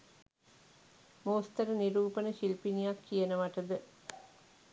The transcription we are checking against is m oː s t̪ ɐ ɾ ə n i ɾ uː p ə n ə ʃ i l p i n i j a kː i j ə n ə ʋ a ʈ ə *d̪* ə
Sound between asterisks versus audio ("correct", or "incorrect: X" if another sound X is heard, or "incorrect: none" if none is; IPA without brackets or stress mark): correct